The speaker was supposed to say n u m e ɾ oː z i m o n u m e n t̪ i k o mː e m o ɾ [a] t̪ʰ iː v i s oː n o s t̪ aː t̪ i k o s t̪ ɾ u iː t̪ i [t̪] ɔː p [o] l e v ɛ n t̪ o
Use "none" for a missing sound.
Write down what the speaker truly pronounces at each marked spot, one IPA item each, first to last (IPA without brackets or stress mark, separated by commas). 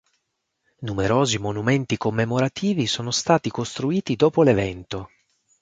a, d̪, o